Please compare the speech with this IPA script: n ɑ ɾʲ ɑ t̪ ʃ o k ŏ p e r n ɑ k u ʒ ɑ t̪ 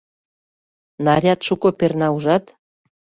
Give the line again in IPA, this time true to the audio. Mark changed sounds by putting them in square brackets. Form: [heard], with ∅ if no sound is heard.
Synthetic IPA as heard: n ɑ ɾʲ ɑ t̪ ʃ [u] k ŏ p e r n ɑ [∅] u ʒ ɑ t̪